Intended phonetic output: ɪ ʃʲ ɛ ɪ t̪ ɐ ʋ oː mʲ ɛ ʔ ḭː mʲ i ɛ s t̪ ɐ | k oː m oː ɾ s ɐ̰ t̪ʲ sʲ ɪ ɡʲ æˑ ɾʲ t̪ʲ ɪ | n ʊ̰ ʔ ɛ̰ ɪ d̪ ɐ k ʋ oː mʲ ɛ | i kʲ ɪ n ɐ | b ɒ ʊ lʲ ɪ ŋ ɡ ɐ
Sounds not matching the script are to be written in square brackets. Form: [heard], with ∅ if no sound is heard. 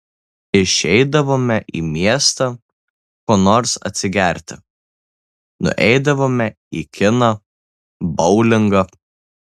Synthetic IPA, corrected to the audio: ɪ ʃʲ ɛ ɪ [d̪] ɐ ʋ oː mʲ ɛ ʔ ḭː mʲ i ɛ s t̪ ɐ | k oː [n] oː ɾ s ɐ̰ t̪ʲ sʲ ɪ ɡʲ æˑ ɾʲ t̪ʲ ɪ | n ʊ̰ ʔ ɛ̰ ɪ d̪ ɐ [∅] ʋ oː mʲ ɛ | i kʲ ɪ n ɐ | b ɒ ʊ lʲ ɪ ŋ ɡ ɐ